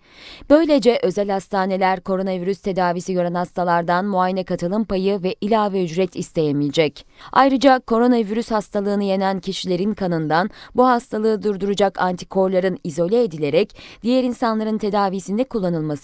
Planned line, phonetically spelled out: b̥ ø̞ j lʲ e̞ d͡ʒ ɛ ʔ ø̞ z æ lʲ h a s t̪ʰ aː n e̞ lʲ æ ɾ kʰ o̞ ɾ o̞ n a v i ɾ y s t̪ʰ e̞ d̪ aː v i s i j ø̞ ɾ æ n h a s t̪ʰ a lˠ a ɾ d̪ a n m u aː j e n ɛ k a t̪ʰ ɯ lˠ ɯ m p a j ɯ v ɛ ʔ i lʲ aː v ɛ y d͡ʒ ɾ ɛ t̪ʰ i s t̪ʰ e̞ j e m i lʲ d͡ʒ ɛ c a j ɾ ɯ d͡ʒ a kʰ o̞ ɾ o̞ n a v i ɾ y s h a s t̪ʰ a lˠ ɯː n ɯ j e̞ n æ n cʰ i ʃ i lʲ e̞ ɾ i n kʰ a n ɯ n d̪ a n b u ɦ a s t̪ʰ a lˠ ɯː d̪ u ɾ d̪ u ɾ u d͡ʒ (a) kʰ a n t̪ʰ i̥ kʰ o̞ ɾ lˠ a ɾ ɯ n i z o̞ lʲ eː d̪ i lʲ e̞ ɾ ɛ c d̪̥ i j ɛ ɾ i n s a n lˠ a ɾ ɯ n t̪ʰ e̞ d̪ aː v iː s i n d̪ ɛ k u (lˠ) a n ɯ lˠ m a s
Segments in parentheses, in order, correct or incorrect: correct, incorrect: lˠː

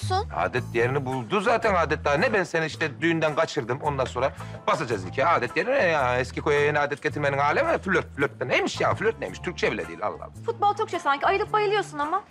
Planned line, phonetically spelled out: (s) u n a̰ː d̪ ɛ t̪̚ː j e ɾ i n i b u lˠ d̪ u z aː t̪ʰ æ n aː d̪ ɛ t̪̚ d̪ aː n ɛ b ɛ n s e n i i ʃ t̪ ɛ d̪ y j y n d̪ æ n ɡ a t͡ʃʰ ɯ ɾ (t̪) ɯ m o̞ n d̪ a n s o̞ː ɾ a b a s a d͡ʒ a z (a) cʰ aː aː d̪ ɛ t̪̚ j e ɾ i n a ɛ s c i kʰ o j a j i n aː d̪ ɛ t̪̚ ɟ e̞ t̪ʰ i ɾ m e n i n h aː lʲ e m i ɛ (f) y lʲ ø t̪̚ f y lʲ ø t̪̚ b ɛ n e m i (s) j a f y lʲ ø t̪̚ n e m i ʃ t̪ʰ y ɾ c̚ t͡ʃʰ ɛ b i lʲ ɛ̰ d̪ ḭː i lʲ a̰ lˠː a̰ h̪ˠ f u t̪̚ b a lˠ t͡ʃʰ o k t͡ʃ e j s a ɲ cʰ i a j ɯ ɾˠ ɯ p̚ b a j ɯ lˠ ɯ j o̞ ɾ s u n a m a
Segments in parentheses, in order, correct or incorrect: correct, incorrect: d̪, incorrect: i, correct, incorrect: ʃ

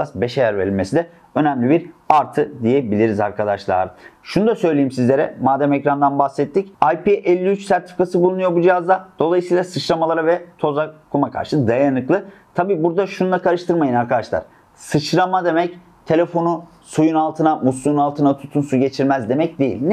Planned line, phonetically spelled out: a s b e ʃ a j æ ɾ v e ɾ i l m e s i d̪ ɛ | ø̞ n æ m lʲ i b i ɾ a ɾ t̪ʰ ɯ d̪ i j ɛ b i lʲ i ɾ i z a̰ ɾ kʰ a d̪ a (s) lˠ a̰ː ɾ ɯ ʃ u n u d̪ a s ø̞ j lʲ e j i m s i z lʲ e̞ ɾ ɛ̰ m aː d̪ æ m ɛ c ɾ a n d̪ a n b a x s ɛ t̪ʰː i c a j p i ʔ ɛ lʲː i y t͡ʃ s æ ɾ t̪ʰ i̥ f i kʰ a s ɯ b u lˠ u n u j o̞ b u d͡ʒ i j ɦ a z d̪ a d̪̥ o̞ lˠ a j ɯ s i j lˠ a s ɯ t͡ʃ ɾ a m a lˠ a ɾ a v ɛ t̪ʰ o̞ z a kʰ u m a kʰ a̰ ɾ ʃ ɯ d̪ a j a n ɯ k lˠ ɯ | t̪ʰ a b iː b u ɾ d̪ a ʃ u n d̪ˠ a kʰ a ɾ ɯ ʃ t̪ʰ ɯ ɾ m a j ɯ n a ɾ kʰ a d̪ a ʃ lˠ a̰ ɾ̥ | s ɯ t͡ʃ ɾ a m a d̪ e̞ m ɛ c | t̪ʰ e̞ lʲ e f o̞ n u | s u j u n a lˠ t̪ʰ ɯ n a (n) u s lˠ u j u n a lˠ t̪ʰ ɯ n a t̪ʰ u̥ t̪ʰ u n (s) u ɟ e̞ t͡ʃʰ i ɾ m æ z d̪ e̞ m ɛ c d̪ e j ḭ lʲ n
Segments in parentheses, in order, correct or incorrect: incorrect: ʃ, incorrect: m, correct

